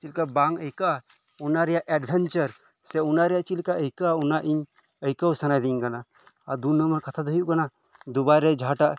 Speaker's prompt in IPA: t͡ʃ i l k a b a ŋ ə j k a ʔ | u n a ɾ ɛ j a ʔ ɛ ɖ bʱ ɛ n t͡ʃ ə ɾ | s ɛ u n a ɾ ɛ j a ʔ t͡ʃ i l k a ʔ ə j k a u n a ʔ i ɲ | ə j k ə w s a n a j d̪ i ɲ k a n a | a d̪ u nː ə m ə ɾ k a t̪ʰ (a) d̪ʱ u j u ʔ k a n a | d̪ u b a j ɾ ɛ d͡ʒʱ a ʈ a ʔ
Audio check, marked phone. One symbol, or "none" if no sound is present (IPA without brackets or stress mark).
a